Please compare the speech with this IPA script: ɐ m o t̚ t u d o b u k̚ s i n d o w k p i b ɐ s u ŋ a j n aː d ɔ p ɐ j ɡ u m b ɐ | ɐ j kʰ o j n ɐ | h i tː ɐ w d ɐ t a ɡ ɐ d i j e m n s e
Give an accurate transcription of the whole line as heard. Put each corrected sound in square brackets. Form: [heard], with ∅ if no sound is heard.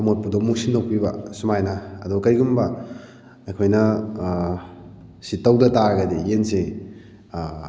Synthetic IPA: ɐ m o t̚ [p] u d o [m] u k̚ s i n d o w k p i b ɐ s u [m] a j n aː d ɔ [k] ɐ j ɡ u m b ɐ | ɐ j kʰ o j n ɐ | [s] i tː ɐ w d ɐ t a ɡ ɐ d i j e [∅] n s e